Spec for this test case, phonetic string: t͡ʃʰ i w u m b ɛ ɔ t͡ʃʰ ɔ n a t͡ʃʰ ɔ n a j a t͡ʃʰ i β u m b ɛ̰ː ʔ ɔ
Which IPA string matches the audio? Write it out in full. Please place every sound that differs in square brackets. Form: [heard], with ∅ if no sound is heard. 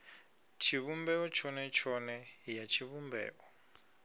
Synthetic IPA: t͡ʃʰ i [β] u m b ɛ ɔ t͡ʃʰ ɔ n [ɛ] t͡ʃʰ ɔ n [ɛ] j a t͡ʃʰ i β u m b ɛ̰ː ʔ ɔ